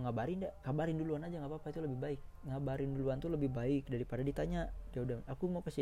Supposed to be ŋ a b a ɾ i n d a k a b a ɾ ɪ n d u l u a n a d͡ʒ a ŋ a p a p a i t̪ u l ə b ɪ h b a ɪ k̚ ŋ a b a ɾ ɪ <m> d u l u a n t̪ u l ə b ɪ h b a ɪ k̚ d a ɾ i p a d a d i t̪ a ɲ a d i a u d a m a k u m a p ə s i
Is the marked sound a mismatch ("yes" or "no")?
yes